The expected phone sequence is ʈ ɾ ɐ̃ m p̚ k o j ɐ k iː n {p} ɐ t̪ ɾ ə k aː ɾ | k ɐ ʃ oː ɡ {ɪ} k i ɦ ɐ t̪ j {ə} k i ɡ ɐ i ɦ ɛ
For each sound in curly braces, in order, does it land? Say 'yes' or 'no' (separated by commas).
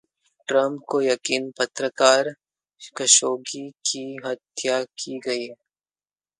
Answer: yes, no, no